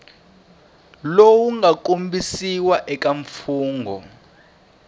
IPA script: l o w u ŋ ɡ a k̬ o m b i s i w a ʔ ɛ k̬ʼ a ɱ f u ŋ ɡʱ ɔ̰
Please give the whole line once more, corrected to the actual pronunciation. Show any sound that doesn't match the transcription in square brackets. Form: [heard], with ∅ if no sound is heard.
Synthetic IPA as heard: l o w u ŋ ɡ a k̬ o m b i s i w a ʔ ɛ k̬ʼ a ɱ f [uː] ŋ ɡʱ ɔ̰